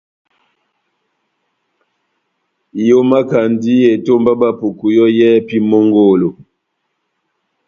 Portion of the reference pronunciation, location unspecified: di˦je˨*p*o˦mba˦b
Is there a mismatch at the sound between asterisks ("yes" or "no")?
yes